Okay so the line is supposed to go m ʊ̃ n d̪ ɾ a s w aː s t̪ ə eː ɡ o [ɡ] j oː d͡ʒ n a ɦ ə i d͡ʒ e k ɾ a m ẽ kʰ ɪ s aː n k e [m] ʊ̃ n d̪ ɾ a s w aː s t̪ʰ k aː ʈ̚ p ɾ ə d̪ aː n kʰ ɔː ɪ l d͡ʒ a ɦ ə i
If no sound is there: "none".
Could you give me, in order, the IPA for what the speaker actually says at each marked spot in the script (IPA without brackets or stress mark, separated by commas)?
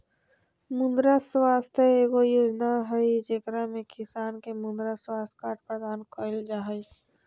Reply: none, m